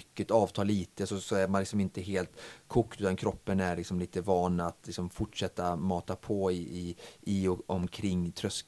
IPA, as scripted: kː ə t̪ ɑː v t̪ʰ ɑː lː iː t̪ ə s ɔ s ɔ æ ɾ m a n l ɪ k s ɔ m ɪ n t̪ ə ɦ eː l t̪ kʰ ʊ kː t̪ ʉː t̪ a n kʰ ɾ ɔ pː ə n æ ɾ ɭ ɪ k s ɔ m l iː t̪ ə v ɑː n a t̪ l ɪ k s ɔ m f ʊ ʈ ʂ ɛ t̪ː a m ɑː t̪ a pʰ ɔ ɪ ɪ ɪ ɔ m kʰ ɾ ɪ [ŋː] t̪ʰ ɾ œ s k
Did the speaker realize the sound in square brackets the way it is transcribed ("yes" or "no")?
yes